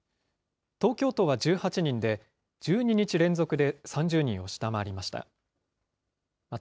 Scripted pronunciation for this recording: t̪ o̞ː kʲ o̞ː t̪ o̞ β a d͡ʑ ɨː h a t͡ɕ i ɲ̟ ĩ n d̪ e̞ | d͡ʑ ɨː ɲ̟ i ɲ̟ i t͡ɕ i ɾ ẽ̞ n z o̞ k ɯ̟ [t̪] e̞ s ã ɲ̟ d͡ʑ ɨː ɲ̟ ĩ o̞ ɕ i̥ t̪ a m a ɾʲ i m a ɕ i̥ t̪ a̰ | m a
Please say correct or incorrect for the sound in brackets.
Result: incorrect